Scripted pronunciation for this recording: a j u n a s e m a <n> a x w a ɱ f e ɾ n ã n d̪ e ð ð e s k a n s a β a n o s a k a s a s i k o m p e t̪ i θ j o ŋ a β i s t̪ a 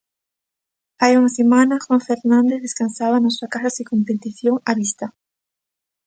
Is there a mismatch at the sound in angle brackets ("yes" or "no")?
no